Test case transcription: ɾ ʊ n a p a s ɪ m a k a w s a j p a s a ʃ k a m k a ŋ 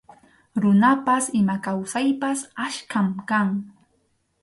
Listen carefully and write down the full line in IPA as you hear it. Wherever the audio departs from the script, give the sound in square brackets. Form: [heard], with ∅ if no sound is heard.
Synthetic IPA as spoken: ɾ ʊ n a p a s ɪ m a k a w s a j p a s a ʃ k a m k a ŋ